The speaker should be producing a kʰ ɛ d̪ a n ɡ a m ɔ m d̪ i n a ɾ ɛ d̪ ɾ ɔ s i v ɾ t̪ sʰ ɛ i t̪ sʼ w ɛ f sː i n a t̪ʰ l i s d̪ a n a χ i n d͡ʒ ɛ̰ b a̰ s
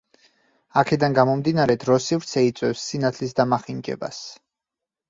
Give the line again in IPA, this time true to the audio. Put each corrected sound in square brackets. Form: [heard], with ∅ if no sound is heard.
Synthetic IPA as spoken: a kʰ ɛ d̪ a n ɡ a m ɔ m d̪ i n a ɾ ɛ d̪ ɾ ɔ s i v ɾ t̪ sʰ ɛ i t̪ sʼ w ɛ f sː i n a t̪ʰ l i s d̪ a [m] a χ i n d͡ʒ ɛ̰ b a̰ s

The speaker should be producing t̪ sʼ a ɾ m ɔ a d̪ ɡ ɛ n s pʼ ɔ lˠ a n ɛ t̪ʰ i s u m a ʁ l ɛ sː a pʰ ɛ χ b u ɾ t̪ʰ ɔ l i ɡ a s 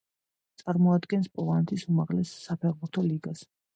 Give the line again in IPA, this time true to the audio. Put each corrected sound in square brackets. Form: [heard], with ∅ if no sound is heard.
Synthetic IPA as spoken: t̪ sʼ a ɾ m ɔ a d̪ ɡ ɛ n s pʼ ɔ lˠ a n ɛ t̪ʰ i s u m a ʁ l ɛ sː a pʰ ɛ [ʁ] b u ɾ t̪ʰ ɔ l i ɡ a s

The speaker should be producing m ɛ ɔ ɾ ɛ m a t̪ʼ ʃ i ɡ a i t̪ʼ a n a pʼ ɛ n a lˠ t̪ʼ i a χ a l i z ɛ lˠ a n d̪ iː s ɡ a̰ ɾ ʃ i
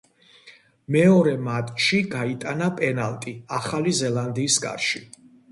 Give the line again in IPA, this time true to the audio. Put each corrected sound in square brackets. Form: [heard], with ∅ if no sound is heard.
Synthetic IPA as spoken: m ɛ ɔ ɾ ɛ m a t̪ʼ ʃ i ɡ a i t̪ʼ a n a pʼ ɛ n a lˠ t̪ʼ i a χ a l i z ɛ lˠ a n d̪ iː s ɡ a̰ ɾ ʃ i

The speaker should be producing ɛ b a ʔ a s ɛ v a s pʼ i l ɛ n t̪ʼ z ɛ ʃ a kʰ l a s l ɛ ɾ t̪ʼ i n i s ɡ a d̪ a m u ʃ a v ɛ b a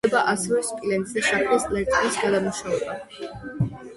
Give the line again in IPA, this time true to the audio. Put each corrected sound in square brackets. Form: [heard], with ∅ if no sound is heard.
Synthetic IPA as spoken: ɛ b a ʔ a s ɛ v [ɛ] s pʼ i l ɛ n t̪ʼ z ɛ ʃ a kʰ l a s l ɛ ɾ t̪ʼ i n i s ɡ a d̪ a m u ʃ a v ɛ b a

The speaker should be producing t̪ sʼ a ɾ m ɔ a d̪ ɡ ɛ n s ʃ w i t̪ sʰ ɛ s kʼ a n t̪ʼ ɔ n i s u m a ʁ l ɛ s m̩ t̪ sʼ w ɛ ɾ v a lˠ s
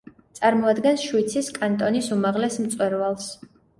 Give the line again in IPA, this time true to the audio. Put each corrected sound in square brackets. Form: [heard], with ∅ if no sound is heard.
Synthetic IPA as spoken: t̪ sʼ a ɾ m ɔ a d̪ ɡ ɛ n s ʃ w i t̪ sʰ [i] s kʼ a n t̪ʼ ɔ n i s u m a ʁ l ɛ s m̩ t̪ sʼ w ɛ ɾ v a lˠ s

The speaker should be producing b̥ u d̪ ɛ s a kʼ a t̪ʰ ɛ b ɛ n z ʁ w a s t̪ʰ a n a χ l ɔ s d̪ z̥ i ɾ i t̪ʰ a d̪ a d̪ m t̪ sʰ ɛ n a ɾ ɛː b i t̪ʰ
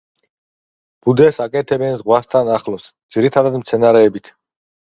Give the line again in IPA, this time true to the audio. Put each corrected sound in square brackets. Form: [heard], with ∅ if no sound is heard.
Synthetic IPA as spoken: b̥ u d̪ ɛ s a kʼ [ɛ] t̪ʰ ɛ b ɛ n z ʁ w a s t̪ʰ a n a χ l ɔ s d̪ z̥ i ɾ i t̪ʰ a d̪ a d̪ m t̪ sʰ ɛ n a ɾ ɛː b i t̪ʰ

